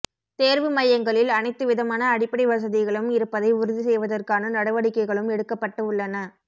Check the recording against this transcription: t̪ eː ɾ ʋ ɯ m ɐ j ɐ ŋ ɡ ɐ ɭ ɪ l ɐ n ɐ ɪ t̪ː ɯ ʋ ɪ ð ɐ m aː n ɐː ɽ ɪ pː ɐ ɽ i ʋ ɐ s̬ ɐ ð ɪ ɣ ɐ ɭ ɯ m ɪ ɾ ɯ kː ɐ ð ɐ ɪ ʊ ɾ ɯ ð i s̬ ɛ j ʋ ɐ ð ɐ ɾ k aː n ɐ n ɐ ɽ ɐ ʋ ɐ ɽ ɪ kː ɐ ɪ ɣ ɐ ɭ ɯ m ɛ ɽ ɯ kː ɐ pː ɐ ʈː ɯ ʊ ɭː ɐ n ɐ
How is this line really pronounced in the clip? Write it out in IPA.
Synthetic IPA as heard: t̪ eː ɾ ʋ ɯ m ɐ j ɐ ŋ ɡ ɐ ɭ ɪ l ɐ n ɐ ɪ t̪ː ɯ ʋ ɪ ð ɐ m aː n ɐː ɽ ɪ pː ɐ ɽ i ʋ ɐ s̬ ɐ ð ɪ ɣ ɐ ɭ ɯ m ɪ ɾ ɯ pː ɐ ð ɐ ɪ ʊ ɾ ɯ ð i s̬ ɛ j ʋ ɐ ð ɐ r k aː n ɐ n ɐ ɽ ɐ ʋ ɐ ɽ ɪ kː ɐ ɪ ɣ ɐ ɭ ɯ m ɛ ɽ ɯ kː ɐ pː ɐ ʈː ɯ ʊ ɭː ɐ n ɐ